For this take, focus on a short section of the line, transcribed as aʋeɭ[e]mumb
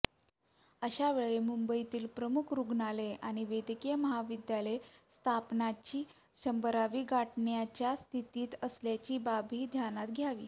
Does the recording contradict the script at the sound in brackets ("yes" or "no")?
no